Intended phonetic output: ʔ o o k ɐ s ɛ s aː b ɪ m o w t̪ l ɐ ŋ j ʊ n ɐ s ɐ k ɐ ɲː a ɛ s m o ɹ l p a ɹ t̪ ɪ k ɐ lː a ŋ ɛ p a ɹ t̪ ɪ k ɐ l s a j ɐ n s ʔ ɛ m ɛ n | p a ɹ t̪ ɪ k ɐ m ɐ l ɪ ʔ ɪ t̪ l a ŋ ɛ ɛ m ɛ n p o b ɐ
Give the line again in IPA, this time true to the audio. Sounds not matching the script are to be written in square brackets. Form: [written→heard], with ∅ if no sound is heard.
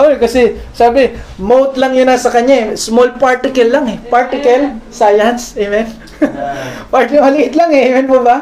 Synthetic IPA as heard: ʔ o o k ɐ s ɛ s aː b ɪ m o w t̪ l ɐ ŋ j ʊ n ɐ s ɐ k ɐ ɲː a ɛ s m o [ɹ→∅] l p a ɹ t̪ ɪ k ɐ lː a ŋ ɛ p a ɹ t̪ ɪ k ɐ l s a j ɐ n s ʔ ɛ m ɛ n | p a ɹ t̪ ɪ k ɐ m ɐ l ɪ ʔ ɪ t̪ l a ŋ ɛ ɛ m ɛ n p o b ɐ